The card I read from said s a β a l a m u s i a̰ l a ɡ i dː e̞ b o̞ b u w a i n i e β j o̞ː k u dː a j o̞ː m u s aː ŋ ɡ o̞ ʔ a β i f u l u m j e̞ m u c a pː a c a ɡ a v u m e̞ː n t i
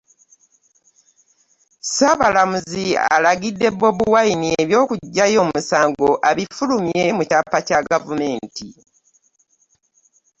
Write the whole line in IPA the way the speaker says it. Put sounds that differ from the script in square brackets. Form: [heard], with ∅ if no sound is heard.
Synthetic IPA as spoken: s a β a l a m u [z] i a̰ l a ɡ i dː e̞ b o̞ b u w a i n i e β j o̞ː k u [ɟː] a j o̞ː m u s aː ŋ ɡ o̞ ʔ a β i f u l u m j e̞ m u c a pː a c a ɡ a v u m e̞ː n t i

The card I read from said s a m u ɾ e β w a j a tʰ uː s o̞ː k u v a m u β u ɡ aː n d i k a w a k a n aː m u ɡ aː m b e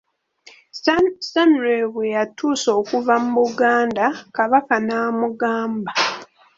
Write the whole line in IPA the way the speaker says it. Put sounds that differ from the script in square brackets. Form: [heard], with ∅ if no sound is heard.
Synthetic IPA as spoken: s a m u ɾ e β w [e] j a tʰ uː s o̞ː k u v a m u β u ɡ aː n d [a] k a [β] a k a n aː m u ɡ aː m b [a]

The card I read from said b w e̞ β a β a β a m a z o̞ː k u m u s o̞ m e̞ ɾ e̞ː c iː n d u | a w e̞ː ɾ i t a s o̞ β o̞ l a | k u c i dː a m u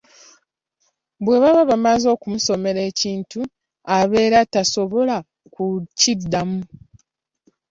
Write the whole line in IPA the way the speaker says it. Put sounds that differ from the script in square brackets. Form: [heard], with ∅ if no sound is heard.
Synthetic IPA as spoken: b w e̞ β a β a β a m a z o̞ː k u m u s o̞ m e̞ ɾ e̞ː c iː n [t] u | a [β] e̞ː ɾ [a] t a s o̞ β o̞ l a | k u c i dː a m u

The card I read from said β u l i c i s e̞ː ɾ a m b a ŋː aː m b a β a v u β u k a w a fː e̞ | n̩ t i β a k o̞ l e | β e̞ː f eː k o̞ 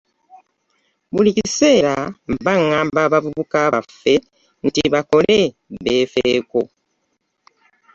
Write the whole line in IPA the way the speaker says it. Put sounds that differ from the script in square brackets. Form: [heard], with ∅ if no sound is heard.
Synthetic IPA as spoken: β u l i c i s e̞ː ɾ a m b a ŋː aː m b a β a v u β u k a [β] a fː e̞ | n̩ t i β a k o̞ l e | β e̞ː f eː k o̞

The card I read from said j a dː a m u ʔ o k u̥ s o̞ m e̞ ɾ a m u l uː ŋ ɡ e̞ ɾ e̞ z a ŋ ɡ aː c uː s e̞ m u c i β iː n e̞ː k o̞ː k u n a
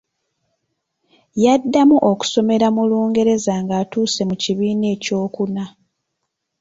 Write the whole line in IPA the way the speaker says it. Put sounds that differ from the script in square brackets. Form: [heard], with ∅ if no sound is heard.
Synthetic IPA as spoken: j a dː a m u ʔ o k u̥ s o̞ m e̞ ɾ a m u l uː ŋ ɡ e̞ ɾ e̞ z a ŋ ɡ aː [t] uː s e̞ m u c i β iː n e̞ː [c] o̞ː k u n a

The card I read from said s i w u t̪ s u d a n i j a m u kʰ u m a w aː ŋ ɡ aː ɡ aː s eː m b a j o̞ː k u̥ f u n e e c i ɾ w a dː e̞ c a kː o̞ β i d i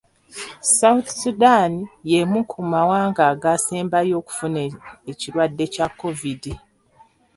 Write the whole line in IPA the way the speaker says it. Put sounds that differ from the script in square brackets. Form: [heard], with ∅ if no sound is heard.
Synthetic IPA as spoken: s [a] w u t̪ s u d a n i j [e] m u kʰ u m a w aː ŋ ɡ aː ɡ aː s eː m b a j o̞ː k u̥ f u n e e c i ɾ w a dː e̞ c a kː o̞ [v] i d i

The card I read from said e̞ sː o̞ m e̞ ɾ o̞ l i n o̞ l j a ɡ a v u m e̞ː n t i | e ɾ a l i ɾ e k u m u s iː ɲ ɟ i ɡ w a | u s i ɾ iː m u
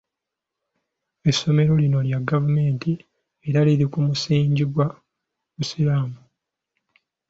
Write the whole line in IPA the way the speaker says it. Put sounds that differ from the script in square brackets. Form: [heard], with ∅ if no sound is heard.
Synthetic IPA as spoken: e̞ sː o̞ m e̞ ɾ o̞ l i n o̞ l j a ɡ a v u m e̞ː n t i | e ɾ a l i ɾ [i] k u m u s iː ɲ ɟ i ɡ w a | u s i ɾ [aː] m u

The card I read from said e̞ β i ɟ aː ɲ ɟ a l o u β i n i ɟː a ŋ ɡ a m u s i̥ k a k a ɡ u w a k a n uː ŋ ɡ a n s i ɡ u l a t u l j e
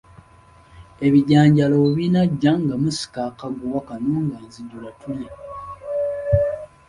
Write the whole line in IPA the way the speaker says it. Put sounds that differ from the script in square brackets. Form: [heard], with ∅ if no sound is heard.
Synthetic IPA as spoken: e̞ β i ɟ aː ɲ ɟ a l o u β i n [a] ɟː a ŋ ɡ a m u s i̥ k a k a ɡ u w a k a n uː ŋ ɡ a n [z] i [ɟ] u l a t u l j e

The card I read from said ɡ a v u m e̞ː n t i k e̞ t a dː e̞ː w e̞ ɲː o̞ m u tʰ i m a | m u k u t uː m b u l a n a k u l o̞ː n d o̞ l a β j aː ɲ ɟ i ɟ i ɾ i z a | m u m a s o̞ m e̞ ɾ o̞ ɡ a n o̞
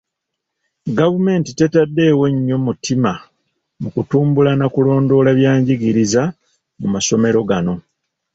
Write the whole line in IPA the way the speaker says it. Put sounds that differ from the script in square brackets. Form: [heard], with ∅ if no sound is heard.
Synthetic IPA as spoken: ɡ a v u m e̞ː n t i [t] e̞ t a dː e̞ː w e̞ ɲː o̞ m u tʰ i m a | m u k u t uː m b u l a n a k u l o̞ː n d o̞ l a β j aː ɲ ɟ i [ɡ] i ɾ i z a | m u m a s o̞ m e̞ ɾ o̞ ɡ a n o̞

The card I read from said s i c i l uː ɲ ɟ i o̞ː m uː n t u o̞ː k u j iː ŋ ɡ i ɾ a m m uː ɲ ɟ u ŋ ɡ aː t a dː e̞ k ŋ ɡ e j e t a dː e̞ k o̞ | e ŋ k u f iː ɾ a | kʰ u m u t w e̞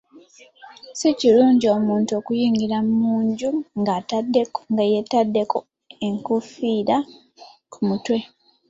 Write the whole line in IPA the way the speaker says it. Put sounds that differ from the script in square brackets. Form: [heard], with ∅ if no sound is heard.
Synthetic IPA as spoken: s i c i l uː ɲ ɟ i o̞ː m uː n t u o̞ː k u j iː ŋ ɡ i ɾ a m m uː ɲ ɟ u ŋ ɡ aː t a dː e̞ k ŋ ɡ [a] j e t a dː e̞ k o̞ | e ŋ k u f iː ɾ a | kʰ u m u t w e̞

